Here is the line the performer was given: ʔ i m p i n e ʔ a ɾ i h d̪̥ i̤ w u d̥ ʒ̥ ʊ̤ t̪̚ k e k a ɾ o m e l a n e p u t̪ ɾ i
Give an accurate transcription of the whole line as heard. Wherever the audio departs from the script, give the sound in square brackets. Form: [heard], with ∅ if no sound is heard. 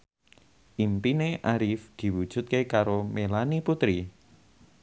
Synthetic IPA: ʔ i m p i n e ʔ a ɾ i [f] d̪̥ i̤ w u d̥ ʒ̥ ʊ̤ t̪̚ k e k a ɾ o m e l a n [i] p u t̪ ɾ i